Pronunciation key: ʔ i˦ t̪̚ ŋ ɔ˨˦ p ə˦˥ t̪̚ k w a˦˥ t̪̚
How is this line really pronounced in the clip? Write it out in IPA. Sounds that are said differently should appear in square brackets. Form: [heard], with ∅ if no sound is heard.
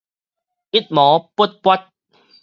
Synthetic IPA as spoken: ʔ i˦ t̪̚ [m] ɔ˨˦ p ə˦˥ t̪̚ [p] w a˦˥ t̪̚